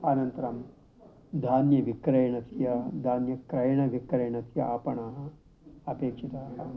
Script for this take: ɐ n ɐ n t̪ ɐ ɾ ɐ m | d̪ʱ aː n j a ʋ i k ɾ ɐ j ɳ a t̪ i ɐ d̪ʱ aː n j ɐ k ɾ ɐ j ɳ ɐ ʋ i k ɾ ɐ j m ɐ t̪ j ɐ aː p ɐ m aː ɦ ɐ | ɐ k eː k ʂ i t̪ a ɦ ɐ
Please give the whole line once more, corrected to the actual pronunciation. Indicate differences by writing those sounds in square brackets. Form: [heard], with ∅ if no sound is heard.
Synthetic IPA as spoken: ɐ n ɐ n t̪ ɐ ɾ ɐ m | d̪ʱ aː n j [ɐ] ʋ i k ɾ ɐ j ɳ [ɐ] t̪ [j] ɐ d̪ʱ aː n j ɐ k ɾ ɐ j ɳ ɐ ʋ i k ɾ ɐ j [ɳ] ɐ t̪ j ɐ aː p ɐ [ɳ] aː ɦ ɐ | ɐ [p] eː k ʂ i t̪ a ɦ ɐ